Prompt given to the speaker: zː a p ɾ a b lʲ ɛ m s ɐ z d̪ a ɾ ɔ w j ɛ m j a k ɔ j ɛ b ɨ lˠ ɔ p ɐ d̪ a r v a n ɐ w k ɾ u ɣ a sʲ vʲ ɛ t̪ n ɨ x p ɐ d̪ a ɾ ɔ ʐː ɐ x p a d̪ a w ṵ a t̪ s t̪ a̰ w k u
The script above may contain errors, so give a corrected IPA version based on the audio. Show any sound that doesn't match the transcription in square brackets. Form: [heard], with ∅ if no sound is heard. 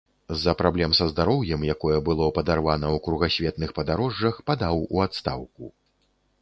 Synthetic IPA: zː [ɐ] p ɾ a b lʲ ɛ m s ɐ z d̪ a ɾ ɔ w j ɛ m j a k ɔ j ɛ b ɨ lˠ ɔ p ɐ d̪ a r v a n ɐ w k ɾ u ɣ a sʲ vʲ ɛ t̪ n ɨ x p ɐ d̪ a ɾ ɔ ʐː ɐ x p a d̪ a w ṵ a t̪ s t̪ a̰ w k u